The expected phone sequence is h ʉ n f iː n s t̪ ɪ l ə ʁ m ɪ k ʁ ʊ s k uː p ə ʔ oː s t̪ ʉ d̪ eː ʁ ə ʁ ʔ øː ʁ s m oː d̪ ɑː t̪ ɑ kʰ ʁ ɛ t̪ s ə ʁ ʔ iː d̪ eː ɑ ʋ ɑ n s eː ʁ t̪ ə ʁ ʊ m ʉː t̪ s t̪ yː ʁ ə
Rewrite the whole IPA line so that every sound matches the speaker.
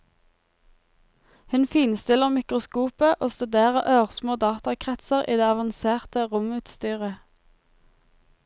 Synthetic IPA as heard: h ʉ n f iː n s t̪ ɪ l ə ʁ m ɪ k ʁ ʊ s k uː p ə ʔ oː s t̪ ʉ d̪ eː ʁ ə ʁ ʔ øː ʁ s m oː d̪ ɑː t̪ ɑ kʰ ʁ ɛ t̪ s ə ʁ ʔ iː d̪ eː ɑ ʋ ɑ n s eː ʁ t̪ ə ʁ ʊ m ʉː t̪ s t̪ yː ʁ ə